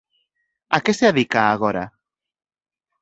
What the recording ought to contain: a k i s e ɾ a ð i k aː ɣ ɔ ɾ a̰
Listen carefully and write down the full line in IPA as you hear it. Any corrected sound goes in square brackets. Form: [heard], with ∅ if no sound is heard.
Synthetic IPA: a k [e] s e [∅] a ð i k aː ɣ [o] ɾ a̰